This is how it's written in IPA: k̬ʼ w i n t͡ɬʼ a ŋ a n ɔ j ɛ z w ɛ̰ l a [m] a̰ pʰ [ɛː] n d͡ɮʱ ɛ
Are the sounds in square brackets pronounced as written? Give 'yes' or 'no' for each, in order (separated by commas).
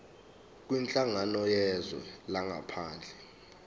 no, no